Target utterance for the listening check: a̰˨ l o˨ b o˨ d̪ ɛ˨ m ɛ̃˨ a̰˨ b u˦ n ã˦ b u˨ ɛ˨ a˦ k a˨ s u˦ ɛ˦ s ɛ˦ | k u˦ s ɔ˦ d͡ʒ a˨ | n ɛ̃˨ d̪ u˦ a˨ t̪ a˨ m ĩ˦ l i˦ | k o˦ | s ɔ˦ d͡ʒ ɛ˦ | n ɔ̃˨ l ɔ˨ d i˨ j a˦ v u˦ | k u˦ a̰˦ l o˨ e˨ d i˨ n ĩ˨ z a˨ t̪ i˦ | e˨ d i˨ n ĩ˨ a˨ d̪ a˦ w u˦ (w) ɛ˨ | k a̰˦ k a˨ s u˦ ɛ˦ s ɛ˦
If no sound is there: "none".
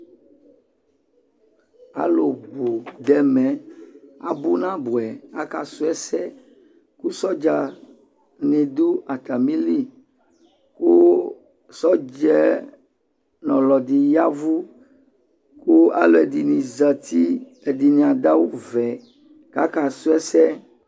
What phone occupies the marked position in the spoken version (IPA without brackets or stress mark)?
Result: v